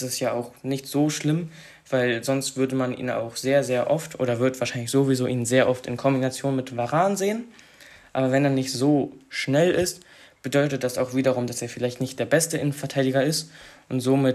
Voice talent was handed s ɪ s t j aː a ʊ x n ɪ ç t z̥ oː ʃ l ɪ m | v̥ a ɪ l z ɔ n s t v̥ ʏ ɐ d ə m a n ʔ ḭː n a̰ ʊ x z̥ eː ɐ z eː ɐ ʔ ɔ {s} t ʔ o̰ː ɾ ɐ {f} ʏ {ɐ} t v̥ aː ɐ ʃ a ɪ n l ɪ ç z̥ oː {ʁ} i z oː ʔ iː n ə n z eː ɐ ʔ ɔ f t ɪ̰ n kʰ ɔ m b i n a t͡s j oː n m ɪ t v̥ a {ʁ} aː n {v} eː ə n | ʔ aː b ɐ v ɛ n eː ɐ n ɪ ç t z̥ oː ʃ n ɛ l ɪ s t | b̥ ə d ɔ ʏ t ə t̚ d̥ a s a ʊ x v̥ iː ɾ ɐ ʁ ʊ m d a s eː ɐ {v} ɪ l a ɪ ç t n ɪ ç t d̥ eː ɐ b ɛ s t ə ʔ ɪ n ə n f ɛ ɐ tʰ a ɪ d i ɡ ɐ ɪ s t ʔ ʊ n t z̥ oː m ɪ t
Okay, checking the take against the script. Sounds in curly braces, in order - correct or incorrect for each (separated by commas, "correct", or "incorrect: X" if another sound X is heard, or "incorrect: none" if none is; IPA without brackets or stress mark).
incorrect: f, incorrect: v, correct, incorrect: v, correct, incorrect: z, incorrect: f